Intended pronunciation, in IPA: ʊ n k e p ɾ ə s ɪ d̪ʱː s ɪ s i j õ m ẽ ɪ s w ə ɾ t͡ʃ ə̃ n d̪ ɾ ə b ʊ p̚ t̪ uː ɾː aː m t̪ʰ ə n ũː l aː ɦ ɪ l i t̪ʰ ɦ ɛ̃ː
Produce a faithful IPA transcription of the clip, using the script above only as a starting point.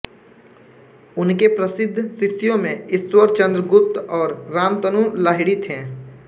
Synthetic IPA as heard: ʊ n k e p ɾ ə s ɪ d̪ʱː s ɪ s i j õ m ẽ ɪ s w ə ɾ t͡ʃ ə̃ n d̪ ɾ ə ɡ ʊ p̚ t̪ ɔː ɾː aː m t̪ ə n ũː l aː ɦ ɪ ɽ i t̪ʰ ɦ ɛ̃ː